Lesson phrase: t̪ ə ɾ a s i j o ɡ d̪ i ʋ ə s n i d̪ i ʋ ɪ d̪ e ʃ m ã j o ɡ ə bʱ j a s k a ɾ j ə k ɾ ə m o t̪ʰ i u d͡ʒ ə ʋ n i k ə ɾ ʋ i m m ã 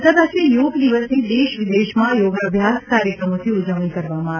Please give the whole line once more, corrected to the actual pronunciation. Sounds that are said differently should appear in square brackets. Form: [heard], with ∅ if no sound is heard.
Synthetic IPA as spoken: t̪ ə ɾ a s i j o ɡ d̪ i ʋ ə s n i d̪ [e] ʋ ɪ d̪ e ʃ m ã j o ɡ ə bʱ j a s k a ɾ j ə k ɾ ə m o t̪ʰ i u d͡ʒ ə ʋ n i k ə ɾ ʋ [a] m m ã